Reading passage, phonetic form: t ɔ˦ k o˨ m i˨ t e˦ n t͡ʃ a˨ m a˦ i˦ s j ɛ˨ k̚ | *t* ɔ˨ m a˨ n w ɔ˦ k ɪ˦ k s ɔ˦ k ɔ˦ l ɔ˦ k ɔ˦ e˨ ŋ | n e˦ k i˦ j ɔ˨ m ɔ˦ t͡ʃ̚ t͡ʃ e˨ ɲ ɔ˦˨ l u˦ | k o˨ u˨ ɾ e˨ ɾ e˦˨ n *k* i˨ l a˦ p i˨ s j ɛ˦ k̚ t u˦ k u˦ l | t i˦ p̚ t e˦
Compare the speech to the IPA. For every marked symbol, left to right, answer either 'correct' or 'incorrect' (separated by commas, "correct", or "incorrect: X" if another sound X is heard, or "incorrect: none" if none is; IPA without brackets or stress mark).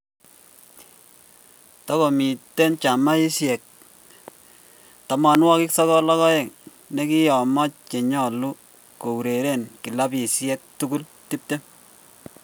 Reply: correct, correct